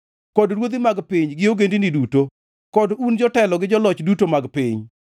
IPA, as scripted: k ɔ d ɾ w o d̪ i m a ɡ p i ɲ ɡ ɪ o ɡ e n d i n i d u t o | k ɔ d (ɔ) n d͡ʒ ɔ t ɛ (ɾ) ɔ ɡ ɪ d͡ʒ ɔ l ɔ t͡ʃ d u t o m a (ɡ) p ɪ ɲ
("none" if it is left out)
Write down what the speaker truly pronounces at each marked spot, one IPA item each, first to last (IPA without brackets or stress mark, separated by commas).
u, l, ɡ